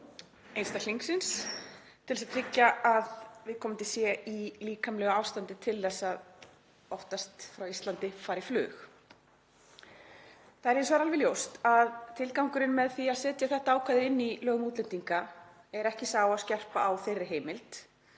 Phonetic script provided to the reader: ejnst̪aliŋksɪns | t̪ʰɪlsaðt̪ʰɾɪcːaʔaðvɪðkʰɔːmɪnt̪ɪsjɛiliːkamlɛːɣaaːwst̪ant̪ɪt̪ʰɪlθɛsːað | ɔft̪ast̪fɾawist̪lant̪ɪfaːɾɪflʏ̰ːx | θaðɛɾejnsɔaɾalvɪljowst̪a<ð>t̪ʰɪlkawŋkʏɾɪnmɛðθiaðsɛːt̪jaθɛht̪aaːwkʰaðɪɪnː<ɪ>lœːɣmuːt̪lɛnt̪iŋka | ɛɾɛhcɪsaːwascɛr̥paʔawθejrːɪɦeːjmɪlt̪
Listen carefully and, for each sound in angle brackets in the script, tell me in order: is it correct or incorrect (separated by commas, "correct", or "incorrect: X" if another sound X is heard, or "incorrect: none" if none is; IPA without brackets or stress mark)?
correct, incorrect: i